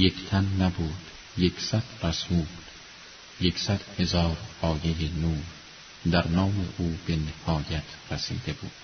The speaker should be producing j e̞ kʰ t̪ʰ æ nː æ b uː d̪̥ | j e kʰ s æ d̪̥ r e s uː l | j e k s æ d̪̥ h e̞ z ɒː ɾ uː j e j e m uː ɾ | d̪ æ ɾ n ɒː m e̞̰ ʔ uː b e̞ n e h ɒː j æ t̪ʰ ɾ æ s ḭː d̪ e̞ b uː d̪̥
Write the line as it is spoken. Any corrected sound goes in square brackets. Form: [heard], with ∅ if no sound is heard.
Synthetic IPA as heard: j e̞ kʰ t̪ʰ æ nː æ b uː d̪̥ | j e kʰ s æ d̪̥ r [æ] s uː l | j e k s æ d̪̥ h e̞ z ɒː ɾ [ɒː] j e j e [n] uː ɾ | d̪ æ ɾ n ɒː m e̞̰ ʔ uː b e̞ n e h ɒː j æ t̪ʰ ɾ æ s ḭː d̪ e̞ b uː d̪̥